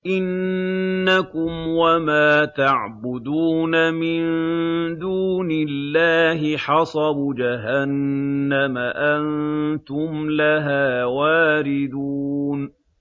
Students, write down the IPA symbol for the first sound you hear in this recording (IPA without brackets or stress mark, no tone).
ʔ